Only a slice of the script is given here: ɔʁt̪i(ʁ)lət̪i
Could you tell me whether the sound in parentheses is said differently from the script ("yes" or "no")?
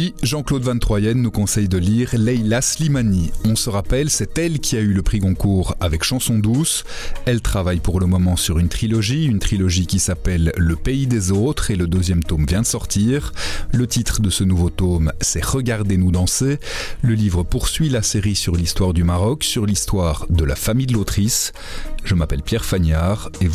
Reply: no